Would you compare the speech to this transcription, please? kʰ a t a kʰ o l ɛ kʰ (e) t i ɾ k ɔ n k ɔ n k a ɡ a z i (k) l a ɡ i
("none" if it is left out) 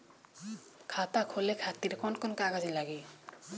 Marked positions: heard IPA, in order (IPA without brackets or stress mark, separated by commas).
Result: a, none